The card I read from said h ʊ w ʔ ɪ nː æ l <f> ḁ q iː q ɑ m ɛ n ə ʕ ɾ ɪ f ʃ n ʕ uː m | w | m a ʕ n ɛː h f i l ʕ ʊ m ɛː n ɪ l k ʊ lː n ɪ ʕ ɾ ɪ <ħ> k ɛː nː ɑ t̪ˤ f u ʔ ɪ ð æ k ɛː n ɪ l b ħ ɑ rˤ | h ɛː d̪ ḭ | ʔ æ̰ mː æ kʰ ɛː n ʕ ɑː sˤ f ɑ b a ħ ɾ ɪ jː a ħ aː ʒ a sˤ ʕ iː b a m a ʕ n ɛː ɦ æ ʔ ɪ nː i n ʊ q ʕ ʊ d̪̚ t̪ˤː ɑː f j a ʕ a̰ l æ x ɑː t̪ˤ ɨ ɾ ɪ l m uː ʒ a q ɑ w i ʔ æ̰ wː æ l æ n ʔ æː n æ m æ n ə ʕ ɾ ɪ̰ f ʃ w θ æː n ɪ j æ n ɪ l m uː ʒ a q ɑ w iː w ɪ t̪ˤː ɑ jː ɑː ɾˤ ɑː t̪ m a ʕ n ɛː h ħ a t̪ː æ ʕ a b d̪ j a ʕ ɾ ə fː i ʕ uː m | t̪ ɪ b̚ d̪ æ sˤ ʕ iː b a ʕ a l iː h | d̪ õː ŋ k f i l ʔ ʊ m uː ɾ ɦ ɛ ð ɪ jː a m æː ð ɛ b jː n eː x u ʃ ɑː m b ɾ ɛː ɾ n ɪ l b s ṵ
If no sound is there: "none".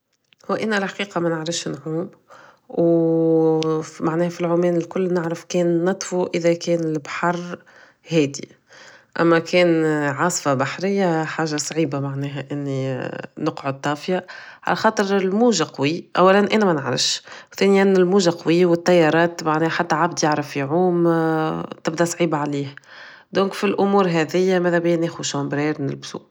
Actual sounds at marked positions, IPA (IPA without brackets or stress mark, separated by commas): ħ, f